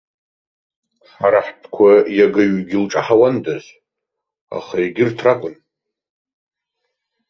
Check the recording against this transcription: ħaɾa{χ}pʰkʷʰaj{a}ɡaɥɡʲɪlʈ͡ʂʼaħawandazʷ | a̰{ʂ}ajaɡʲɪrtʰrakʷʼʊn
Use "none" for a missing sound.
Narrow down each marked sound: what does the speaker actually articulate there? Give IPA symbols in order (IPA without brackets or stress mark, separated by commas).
ħ, a, χ